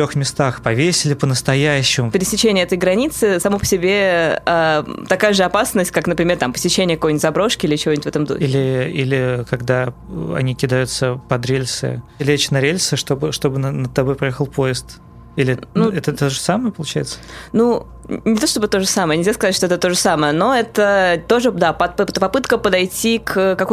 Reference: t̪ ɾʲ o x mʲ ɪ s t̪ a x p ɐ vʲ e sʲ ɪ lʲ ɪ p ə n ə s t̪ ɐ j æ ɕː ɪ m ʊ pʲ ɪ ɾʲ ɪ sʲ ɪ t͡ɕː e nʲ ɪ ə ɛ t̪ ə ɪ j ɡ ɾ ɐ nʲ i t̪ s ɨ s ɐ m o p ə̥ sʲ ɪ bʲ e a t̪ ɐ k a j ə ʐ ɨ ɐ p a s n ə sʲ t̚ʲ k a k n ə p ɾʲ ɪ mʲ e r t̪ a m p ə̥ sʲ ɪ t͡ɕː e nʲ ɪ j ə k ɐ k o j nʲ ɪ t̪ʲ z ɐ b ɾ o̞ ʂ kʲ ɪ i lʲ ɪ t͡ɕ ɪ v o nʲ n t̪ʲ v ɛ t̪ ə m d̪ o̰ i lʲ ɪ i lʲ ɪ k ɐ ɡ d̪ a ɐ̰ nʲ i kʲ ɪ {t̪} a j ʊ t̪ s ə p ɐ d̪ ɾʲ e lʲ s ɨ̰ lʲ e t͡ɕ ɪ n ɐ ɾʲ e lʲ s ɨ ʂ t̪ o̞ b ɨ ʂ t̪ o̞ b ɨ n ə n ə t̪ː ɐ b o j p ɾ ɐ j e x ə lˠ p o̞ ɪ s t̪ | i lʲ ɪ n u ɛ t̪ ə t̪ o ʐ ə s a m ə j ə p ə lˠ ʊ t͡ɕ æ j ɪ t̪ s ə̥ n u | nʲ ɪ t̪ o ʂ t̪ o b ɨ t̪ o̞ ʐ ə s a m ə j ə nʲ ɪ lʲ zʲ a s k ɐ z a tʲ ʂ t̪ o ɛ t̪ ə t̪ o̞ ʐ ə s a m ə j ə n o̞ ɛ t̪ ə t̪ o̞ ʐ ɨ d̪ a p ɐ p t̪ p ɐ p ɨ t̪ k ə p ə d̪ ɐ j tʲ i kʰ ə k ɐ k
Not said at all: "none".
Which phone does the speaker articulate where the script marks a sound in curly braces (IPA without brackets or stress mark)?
d̪